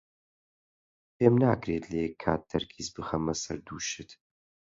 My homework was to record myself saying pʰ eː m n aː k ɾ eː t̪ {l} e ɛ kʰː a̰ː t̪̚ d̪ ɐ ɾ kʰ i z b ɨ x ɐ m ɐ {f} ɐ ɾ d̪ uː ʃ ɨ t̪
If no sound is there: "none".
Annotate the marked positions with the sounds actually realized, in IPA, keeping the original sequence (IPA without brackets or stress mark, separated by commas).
l, s